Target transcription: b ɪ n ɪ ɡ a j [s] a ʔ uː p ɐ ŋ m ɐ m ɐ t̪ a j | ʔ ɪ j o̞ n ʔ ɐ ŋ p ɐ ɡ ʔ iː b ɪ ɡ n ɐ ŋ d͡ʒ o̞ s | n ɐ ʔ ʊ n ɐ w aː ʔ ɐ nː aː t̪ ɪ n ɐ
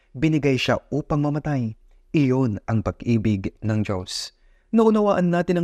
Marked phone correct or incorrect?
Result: incorrect